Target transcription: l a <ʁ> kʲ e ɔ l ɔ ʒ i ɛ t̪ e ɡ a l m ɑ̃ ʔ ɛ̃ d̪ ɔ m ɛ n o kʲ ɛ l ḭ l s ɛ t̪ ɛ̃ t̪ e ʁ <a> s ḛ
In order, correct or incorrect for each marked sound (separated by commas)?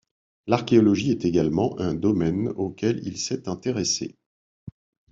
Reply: correct, incorrect